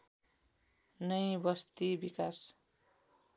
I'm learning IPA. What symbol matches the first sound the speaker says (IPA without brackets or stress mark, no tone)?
n